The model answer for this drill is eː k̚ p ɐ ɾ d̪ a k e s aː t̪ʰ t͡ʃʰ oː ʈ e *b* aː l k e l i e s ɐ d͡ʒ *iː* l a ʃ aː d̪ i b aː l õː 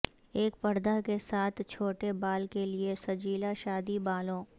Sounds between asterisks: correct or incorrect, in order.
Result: correct, correct

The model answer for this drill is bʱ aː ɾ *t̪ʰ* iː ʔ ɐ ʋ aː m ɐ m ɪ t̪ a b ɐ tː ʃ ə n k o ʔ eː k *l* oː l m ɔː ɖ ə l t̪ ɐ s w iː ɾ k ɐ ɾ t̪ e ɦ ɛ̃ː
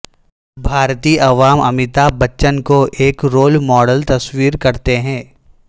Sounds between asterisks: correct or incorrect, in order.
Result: incorrect: t̪, incorrect: ɾ

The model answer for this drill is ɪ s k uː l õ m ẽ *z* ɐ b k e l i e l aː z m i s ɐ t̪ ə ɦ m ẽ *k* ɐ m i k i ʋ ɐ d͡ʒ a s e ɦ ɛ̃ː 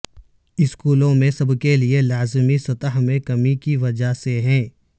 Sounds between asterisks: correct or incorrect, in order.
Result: incorrect: s, correct

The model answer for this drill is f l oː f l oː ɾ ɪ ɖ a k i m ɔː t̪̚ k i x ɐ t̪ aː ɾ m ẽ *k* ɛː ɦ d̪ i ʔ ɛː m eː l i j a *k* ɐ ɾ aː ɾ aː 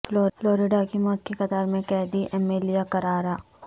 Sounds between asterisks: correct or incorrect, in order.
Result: correct, correct

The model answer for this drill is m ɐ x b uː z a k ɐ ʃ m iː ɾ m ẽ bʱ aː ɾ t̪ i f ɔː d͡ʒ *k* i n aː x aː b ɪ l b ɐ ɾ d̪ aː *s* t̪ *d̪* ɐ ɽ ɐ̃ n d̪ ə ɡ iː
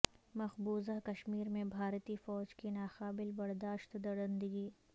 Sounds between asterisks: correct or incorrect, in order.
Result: correct, incorrect: ʃ, correct

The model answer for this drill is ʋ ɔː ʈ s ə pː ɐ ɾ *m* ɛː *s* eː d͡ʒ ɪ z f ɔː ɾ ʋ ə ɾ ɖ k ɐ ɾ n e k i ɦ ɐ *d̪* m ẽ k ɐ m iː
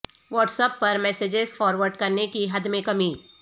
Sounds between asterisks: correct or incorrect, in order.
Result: correct, correct, correct

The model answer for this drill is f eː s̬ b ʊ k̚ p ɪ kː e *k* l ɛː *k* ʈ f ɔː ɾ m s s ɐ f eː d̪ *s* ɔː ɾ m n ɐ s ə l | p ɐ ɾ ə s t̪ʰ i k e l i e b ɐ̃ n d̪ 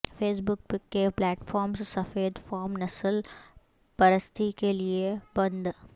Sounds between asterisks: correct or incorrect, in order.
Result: incorrect: p, incorrect: none, incorrect: f

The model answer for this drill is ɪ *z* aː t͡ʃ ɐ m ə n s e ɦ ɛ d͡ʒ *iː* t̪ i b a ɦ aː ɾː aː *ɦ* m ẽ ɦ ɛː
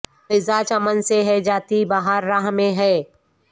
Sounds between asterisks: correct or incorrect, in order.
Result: correct, incorrect: aː, correct

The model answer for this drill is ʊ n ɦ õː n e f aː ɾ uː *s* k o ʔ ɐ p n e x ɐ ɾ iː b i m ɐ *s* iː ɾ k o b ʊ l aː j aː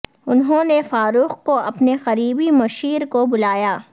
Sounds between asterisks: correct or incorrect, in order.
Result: incorrect: x, incorrect: ʃ

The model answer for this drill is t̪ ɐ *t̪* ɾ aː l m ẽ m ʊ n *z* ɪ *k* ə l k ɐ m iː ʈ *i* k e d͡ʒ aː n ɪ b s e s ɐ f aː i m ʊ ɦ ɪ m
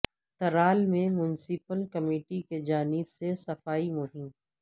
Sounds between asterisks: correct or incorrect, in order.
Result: incorrect: none, incorrect: s, incorrect: p, correct

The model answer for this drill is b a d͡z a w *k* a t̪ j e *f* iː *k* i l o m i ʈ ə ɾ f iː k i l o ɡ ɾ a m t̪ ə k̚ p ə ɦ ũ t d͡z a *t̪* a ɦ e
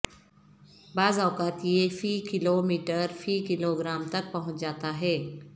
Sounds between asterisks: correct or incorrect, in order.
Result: correct, correct, correct, correct

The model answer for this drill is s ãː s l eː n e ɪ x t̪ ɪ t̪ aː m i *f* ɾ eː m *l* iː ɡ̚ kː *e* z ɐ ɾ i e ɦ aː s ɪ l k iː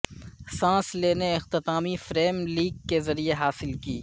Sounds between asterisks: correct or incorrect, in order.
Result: correct, correct, correct

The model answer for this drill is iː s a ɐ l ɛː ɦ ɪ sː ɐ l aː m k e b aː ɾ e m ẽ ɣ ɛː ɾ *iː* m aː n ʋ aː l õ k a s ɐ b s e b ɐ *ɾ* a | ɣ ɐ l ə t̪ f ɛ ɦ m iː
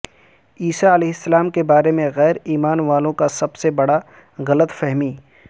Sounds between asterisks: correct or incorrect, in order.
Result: correct, incorrect: ɽ

